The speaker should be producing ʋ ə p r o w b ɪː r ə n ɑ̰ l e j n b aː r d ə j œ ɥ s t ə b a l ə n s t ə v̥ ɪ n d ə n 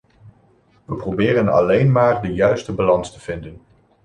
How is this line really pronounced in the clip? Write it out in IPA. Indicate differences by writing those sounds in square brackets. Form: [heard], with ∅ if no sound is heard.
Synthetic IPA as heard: ʋ ə p r o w b ɪː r ə n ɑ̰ l e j n [m] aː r d ə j œ ɥ s t ə b a l [ɑ] n s t ə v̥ ɪ n d ə n

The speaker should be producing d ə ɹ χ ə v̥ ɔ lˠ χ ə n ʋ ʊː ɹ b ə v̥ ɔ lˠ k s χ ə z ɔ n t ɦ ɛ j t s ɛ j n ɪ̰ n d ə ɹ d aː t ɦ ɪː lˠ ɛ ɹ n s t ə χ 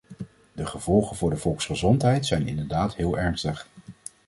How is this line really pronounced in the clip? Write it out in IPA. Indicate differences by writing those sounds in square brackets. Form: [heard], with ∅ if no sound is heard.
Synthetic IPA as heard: d ə [∅] χ ə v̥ ɔ lˠ χ ə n [v] ʊː ɹ [d] ə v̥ ɔ lˠ k s χ ə z ɔ n t ɦ ɛ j t s ɛ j n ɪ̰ n d ə ɹ d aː t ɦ ɪː lˠ ɛ ɹ n s t ə χ

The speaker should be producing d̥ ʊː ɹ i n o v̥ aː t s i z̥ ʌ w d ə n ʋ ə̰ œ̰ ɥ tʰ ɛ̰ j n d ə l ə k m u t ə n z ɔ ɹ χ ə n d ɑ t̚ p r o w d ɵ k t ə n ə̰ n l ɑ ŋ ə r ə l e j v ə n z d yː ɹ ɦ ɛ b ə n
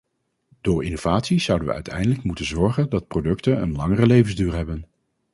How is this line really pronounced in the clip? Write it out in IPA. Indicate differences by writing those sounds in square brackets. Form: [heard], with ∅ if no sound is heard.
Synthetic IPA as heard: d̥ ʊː ɹ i n o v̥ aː t s i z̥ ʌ w d ə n ʋ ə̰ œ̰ ɥ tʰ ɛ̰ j n d ə l ə k m u t ə n z ɔ ɹ χ ə n d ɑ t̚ p r o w d ɵ k t ə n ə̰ n l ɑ ŋ ə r ə l e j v ə n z d yː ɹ ɦ ɛ b ə n

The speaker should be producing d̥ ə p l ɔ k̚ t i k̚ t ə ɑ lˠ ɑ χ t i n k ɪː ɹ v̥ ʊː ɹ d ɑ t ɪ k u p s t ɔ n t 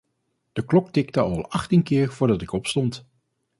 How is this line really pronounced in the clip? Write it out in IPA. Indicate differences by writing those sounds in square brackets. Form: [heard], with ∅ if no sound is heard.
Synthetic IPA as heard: d̥ ə [k] l ɔ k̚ t [ɪ] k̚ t ə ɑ lˠ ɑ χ t i n k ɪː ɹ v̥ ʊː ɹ d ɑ t ɪ k [ɔ] p s t ɔ n t

